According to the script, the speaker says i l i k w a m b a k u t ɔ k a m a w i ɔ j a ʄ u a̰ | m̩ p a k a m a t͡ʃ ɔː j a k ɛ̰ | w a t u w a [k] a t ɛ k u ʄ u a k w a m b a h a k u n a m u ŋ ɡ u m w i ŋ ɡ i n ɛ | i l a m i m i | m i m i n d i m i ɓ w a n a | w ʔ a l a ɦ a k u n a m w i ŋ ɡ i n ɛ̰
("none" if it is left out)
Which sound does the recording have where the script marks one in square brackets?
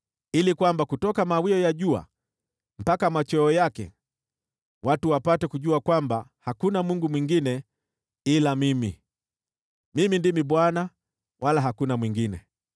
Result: p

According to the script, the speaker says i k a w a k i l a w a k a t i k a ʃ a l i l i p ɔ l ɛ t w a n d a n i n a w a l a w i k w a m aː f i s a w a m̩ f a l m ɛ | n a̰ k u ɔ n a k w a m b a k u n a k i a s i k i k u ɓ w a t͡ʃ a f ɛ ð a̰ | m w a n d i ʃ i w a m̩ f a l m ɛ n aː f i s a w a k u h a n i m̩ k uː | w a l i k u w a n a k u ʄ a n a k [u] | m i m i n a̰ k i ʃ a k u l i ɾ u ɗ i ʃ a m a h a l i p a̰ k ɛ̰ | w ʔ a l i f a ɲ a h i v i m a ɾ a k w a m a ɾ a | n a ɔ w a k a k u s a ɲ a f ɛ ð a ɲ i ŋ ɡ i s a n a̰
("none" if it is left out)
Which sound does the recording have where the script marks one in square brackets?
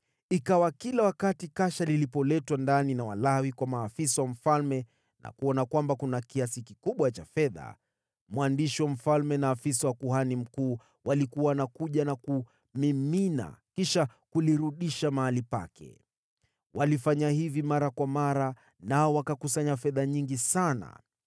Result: u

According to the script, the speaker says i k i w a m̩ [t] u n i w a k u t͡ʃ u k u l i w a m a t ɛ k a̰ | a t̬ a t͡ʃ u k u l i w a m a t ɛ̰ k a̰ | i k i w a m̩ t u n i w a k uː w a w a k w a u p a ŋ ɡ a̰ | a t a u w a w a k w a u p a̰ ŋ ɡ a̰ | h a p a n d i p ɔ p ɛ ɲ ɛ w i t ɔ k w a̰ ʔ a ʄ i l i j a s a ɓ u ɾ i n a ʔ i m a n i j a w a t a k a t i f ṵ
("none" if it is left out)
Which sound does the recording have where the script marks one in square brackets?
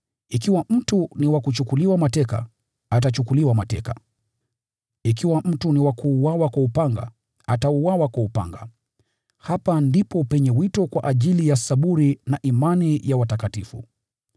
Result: t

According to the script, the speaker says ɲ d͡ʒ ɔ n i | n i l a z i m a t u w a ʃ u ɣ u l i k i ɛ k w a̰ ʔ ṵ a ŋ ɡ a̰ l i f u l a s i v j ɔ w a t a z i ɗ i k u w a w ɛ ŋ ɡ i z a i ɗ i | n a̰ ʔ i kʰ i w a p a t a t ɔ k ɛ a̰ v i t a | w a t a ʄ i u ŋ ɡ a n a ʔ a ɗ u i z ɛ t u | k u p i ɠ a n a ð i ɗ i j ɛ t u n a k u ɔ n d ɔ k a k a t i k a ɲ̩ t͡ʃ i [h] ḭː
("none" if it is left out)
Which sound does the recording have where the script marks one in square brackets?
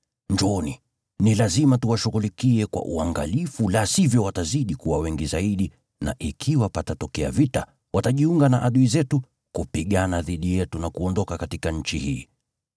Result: h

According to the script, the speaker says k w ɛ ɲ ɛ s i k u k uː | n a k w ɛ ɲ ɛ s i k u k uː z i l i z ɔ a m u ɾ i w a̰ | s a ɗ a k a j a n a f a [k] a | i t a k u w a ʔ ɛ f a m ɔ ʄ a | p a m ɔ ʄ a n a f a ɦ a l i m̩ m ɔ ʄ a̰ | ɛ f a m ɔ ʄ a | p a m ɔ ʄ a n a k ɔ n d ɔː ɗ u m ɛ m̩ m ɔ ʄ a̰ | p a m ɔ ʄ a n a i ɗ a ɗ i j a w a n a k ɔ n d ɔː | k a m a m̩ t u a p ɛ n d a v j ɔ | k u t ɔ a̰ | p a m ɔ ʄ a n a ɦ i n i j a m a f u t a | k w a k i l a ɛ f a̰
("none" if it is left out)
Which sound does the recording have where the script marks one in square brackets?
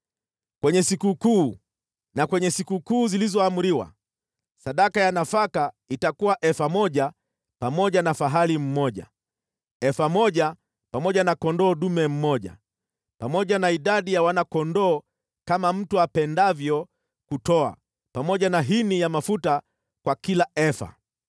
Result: k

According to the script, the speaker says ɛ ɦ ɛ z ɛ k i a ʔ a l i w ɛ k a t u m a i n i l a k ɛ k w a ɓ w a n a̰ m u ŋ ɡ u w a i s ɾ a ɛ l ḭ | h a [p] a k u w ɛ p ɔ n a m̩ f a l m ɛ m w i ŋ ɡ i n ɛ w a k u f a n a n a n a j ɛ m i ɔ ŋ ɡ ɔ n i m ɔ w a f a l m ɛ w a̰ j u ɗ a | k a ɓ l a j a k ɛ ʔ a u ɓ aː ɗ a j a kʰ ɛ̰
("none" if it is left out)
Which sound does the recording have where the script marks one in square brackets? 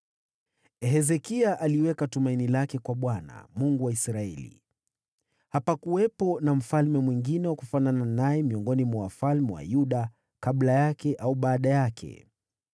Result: p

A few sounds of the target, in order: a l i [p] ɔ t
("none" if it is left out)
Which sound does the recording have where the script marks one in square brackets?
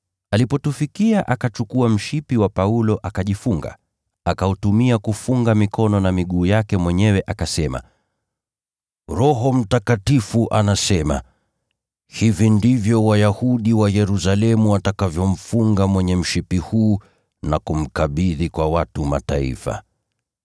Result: p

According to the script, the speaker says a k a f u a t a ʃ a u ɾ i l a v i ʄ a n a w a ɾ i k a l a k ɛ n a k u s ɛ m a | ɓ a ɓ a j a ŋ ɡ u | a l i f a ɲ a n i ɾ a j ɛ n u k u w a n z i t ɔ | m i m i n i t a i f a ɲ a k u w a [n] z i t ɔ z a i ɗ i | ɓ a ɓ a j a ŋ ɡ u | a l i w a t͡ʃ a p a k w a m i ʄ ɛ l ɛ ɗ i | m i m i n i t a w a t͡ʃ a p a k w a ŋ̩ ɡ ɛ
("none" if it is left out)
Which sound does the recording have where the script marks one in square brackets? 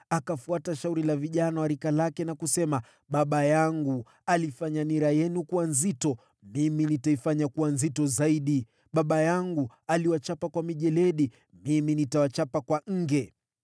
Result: n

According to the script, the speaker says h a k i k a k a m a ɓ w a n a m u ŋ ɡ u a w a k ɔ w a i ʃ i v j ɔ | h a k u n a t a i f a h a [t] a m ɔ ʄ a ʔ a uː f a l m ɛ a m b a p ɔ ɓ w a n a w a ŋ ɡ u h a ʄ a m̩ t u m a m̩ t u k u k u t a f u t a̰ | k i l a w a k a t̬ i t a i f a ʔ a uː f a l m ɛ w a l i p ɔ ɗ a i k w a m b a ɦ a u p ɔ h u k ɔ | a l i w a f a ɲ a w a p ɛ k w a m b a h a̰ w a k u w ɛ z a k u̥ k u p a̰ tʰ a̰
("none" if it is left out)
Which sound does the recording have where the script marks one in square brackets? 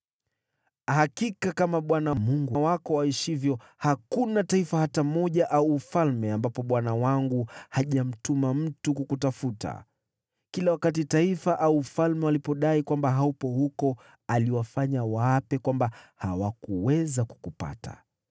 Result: t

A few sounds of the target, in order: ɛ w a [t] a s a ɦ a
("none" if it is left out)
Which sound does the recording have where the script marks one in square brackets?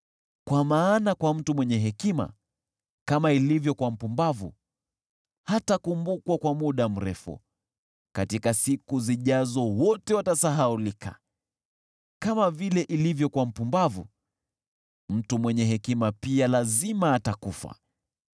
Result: t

